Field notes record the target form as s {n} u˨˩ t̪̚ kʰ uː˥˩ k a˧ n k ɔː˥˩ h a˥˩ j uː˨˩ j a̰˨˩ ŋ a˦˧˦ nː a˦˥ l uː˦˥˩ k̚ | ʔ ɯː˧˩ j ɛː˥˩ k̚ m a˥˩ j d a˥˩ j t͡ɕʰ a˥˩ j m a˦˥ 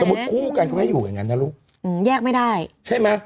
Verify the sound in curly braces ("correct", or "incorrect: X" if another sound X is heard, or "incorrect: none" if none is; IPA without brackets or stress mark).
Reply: incorrect: m